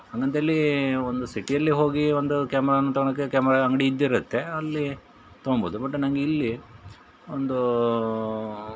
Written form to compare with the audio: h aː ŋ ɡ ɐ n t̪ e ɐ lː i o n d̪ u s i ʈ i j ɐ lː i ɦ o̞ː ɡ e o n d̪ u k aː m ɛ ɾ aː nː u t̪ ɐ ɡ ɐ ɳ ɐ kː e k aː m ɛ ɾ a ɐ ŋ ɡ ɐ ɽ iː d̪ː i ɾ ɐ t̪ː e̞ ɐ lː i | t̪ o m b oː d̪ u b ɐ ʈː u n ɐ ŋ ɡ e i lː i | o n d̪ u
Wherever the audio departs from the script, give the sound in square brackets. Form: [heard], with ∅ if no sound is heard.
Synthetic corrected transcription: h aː ŋ ɡ ɐ n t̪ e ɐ lː i o n d̪ u s i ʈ i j ɐ lː i ɦ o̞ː ɡ [i] o n d̪ u k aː m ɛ ɾ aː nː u t̪ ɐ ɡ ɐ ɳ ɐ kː e k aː m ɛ ɾ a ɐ ŋ ɡ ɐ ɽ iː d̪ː i ɾ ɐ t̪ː e̞ ɐ lː i | t̪ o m b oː d̪ u b ɐ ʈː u n ɐ ŋ ɡ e i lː i | o n d̪ u

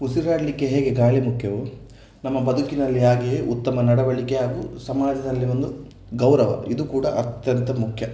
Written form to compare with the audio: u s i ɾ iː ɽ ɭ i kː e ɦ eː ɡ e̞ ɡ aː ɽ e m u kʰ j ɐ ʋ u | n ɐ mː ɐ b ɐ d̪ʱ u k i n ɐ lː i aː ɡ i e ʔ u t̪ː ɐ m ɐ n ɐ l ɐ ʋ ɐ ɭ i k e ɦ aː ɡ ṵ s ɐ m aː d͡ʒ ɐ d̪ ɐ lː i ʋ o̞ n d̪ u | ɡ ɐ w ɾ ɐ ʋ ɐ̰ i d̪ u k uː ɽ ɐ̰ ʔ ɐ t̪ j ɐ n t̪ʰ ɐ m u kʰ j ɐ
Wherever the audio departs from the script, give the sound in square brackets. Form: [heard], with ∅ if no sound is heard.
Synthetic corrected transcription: u s i ɾ [aː] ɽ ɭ i kː e ɦ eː ɡ e̞ ɡ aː [ɭ] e m u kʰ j ɐ ʋ u | n ɐ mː ɐ b ɐ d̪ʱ u k i n ɐ lː i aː ɡ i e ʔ u t̪ː ɐ m ɐ n ɐ [ɽ] ɐ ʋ ɐ ɭ i k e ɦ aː ɡ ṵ s ɐ m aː d͡ʒ ɐ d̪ ɐ lː i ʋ o̞ n d̪ u | ɡ ɐ w ɾ ɐ ʋ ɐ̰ i d̪ u k uː ɽ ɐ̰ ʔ ɐ t̪ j ɐ n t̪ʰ ɐ m u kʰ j ɐ

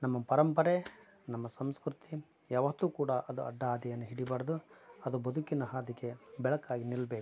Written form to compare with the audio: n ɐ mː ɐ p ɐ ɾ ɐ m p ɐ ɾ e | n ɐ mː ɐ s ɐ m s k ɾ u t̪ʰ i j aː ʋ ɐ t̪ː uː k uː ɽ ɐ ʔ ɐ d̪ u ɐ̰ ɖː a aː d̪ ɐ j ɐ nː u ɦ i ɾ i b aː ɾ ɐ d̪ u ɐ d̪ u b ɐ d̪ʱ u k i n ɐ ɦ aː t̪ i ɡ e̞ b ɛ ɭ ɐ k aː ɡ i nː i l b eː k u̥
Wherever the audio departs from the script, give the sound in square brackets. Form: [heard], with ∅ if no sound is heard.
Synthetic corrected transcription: n ɐ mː ɐ p ɐ ɾ ɐ m p ɐ ɾ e | n ɐ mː ɐ s ɐ m s k ɾ u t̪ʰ i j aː ʋ ɐ t̪ː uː k uː ɽ ɐ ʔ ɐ d̪ u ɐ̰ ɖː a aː d̪ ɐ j ɐ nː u ɦ i [ɽ] i b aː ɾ ɐ d̪ u ɐ d̪ u b ɐ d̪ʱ u k i n ɐ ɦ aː [d̪] i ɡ e̞ b ɛ ɭ ɐ k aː ɡ i [n] i l b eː k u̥

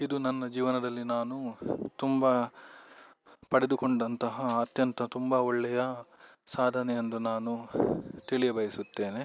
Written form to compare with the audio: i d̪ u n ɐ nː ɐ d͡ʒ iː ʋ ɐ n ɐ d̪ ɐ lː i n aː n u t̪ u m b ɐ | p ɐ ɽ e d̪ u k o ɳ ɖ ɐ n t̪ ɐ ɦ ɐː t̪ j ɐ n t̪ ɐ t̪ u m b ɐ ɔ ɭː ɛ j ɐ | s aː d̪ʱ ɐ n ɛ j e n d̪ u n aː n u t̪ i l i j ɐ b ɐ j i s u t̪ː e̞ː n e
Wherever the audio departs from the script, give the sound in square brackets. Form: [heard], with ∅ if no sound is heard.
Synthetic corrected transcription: i d̪ u n ɐ nː ɐ d͡ʒ iː ʋ ɐ n ɐ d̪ ɐ lː i n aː n u t̪ u m b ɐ | p ɐ ɽ e d̪ u k o ɳ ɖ ɐ n t̪ ɐ ɦ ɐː t̪ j ɐ n t̪ ɐ t̪ u m b ɐ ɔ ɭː ɛ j ɐ | s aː d̪ʱ ɐ n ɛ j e n d̪ u n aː n u t̪ i [ɭ] i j ɐ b ɐ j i s u t̪ː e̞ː n e

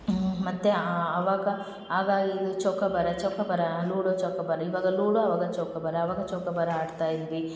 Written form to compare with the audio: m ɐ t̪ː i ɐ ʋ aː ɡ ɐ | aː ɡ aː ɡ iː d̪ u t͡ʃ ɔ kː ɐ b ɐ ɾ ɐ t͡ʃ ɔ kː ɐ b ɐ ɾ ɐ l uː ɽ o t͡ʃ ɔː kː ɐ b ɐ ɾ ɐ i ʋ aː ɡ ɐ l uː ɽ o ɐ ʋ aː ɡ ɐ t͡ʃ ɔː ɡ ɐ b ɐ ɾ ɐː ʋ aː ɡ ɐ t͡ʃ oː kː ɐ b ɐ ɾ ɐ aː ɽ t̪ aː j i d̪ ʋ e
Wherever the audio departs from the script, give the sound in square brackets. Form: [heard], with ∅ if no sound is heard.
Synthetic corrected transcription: m ɐ t̪ː [e] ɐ ʋ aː ɡ ɐ | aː ɡ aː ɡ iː d̪ u t͡ʃ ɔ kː ɐ b ɐ ɾ ɐ t͡ʃ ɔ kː ɐ b ɐ ɾ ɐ l uː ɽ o t͡ʃ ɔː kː ɐ b ɐ ɾ ɐ i ʋ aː ɡ ɐ l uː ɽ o ɐ ʋ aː ɡ ɐ t͡ʃ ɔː [k] ɐ b ɐ ɾ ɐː ʋ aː ɡ ɐ t͡ʃ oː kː ɐ b ɐ ɾ ɐ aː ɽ t̪ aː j i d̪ ʋ [i]

